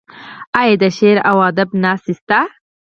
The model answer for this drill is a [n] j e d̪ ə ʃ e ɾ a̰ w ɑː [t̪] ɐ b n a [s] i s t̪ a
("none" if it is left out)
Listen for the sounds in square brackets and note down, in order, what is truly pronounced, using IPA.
none, d̪, s

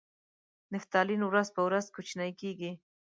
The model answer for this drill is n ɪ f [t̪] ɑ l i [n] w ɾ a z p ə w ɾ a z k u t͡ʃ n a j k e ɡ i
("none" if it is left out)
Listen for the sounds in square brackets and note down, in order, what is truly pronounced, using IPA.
t̪, n

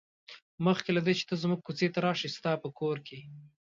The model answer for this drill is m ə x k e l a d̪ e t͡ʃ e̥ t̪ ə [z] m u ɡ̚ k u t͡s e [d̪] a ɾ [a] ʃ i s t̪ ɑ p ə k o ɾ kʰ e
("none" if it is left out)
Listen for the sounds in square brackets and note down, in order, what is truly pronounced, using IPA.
z, t̪, ɑ

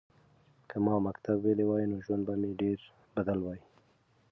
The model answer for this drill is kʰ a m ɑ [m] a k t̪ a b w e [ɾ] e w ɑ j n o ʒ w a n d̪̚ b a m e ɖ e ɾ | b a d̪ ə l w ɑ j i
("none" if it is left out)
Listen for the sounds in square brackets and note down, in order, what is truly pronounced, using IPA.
m, l

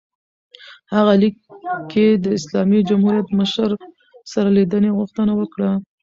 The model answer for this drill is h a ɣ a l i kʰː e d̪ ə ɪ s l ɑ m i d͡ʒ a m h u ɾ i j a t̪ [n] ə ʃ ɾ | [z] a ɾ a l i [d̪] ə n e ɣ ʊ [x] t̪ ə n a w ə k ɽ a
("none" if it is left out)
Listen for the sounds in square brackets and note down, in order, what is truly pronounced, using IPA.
m, s, d̪, x

